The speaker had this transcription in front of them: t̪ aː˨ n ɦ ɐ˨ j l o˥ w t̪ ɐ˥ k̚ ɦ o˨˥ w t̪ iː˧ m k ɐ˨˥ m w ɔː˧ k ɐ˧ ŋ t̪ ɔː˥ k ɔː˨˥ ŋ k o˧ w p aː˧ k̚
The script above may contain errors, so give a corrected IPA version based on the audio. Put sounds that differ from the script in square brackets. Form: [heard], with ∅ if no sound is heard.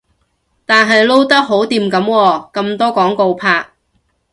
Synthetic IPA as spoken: t̪ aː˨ n ɦ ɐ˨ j l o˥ w t̪ ɐ˥ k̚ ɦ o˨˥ w t̪ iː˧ m k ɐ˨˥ m w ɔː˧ k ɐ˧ [m] t̪ ɔː˥ k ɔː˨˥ ŋ k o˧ w [pʰ] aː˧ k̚